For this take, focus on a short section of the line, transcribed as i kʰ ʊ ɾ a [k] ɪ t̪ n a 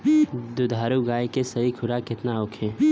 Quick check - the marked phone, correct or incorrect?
correct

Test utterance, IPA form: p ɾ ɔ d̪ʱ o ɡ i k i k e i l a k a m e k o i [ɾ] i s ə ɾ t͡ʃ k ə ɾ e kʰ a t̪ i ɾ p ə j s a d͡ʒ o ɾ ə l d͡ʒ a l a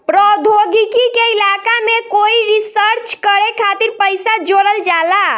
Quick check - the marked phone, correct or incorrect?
correct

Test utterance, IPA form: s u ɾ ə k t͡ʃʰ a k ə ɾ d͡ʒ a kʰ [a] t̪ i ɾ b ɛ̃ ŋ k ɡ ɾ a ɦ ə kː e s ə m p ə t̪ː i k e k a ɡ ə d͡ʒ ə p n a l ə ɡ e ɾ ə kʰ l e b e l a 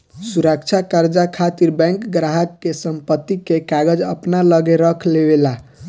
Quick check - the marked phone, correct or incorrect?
correct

